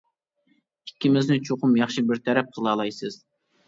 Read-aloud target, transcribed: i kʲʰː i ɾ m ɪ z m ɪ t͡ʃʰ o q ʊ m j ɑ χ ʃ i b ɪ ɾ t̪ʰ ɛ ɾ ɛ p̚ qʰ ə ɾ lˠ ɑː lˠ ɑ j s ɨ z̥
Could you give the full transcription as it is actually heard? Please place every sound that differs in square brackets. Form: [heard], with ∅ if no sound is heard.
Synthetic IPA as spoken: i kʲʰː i [∅] m ɪ z [n] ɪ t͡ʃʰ o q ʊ m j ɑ χ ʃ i b ɪ ɾ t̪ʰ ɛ ɾ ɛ p̚ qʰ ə [∅] lˠ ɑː lˠ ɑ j s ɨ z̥